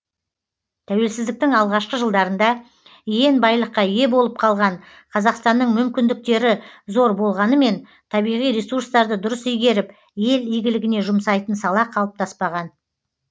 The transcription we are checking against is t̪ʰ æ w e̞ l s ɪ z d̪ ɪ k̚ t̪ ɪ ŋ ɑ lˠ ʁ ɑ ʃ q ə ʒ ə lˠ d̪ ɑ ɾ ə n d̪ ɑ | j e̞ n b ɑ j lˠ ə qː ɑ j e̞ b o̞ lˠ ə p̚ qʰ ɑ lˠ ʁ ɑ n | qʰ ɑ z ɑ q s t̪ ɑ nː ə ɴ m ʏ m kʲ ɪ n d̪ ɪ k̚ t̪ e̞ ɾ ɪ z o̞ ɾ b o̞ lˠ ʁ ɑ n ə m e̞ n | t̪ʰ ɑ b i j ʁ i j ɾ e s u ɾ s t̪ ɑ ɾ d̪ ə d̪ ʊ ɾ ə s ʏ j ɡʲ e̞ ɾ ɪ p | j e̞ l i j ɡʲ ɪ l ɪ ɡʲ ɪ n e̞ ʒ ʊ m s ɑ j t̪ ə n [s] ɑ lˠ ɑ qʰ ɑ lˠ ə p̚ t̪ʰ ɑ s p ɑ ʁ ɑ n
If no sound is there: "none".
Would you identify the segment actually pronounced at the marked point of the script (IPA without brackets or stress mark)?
s